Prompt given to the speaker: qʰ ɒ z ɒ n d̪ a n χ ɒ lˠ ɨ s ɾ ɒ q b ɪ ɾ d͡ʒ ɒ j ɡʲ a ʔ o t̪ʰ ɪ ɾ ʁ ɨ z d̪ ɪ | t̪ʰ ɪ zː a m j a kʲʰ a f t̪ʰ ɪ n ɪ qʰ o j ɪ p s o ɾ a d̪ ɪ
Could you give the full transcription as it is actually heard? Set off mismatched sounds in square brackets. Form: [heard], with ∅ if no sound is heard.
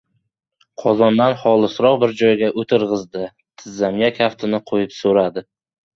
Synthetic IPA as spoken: qʰ ɒ z ɒ n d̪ a n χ ɒ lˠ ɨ s ɾ ɒ q b ɪ ɾ d͡ʒ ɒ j ɡʲ a ʔ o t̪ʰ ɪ ɾ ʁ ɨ z d̪ ɪ | t̪ʰ ɪ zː a m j a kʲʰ a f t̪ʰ ɪ n ɪ qʰ o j ɪ p s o ɾ a d̪ ɪ